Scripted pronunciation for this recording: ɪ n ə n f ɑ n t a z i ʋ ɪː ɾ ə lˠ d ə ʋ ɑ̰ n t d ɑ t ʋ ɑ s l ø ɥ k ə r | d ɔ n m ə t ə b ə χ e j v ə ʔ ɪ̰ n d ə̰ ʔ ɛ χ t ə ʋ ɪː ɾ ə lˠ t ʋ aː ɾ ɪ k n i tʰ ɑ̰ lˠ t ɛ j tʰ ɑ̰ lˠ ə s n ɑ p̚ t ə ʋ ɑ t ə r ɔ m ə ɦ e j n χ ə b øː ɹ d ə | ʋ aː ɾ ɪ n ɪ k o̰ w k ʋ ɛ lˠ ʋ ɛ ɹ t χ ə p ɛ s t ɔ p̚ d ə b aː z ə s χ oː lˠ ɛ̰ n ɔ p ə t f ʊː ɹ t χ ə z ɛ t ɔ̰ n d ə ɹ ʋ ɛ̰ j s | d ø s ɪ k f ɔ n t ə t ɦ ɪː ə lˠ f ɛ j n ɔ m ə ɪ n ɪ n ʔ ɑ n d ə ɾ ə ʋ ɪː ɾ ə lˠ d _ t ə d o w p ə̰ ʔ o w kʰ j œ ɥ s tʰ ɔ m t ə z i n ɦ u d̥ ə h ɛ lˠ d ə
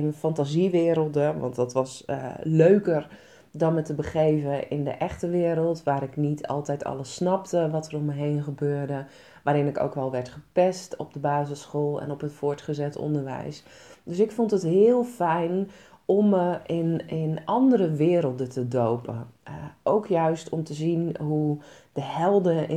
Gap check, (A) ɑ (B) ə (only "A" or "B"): B